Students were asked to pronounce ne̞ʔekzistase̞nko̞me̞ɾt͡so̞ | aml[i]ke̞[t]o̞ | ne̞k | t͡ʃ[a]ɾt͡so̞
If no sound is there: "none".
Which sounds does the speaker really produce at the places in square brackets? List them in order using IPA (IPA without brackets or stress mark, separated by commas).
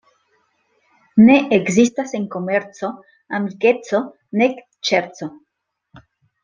i, t͡s, e